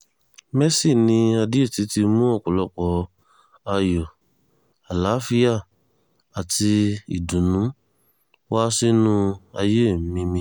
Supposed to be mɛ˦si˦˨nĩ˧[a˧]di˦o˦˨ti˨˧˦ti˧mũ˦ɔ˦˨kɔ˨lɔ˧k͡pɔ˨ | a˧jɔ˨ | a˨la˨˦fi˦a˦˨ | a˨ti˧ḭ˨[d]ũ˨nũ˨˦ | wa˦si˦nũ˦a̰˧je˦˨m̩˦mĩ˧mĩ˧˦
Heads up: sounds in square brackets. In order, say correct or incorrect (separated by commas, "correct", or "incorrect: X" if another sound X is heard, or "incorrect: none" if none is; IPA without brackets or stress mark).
correct, correct